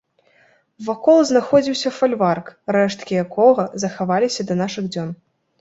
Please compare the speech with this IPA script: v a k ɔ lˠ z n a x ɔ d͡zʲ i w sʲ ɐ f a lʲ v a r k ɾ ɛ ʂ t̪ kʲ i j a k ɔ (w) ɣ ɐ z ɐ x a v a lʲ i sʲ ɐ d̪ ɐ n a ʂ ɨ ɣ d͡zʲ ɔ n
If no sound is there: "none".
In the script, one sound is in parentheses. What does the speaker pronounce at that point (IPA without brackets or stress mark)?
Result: none